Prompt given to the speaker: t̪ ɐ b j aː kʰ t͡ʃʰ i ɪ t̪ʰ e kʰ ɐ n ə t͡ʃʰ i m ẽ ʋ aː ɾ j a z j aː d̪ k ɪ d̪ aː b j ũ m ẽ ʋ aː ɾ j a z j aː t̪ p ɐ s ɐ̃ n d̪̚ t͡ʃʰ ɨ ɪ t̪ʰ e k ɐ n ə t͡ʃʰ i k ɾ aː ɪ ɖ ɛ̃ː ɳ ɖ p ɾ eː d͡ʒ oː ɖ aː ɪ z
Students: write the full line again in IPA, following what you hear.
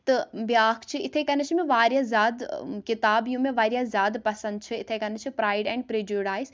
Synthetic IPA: t̪ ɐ b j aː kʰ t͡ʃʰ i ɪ t̪ʰ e k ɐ n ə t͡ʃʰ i m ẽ ʋ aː ɾ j a z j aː d̪ k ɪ t̪ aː b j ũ m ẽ ʋ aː ɾ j a z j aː d̪ p ɐ s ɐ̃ n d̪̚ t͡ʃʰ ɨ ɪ t̪ʰ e k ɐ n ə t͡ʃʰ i p ɾ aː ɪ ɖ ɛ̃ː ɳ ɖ p ɾ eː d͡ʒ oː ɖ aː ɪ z